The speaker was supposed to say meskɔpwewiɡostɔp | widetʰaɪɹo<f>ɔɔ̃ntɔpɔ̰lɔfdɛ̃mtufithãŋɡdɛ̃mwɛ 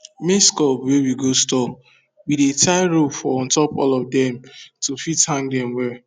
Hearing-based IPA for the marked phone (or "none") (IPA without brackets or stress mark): f